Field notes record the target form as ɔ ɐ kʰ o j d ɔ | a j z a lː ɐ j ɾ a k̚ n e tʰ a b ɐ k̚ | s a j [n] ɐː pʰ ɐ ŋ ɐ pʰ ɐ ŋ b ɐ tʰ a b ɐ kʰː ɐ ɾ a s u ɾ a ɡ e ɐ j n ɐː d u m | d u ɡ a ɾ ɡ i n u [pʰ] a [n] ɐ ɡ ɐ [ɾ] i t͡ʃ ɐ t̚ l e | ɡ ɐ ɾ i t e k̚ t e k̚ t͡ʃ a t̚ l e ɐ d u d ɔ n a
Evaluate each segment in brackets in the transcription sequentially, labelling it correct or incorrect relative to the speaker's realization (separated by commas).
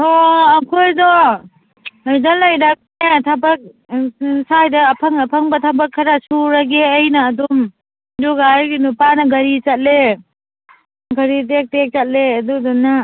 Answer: incorrect, incorrect, correct, correct